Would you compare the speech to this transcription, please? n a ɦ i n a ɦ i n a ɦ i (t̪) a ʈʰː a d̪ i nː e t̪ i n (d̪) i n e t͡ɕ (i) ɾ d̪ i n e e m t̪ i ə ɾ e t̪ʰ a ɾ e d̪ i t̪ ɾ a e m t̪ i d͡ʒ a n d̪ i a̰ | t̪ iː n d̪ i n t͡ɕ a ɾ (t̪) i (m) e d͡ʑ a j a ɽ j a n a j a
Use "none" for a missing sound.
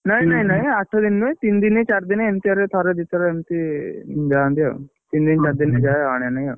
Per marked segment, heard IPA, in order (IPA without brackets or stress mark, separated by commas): none, d̪, a, d̪, n